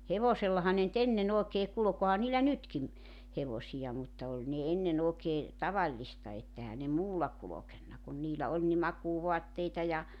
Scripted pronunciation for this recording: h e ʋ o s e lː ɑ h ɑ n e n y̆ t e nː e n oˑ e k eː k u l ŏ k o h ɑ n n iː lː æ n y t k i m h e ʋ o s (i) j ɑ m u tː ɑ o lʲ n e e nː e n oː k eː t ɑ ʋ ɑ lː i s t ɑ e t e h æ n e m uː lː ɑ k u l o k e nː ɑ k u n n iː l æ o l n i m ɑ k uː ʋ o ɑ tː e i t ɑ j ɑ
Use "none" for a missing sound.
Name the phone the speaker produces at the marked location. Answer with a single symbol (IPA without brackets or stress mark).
i